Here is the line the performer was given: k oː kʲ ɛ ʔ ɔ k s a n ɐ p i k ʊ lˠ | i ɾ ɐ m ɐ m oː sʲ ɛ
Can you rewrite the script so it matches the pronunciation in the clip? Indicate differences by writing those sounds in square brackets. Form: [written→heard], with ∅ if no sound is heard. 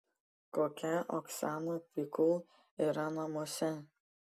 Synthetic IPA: k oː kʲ ɛ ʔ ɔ k s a n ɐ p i k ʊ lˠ | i ɾ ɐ [m→n] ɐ m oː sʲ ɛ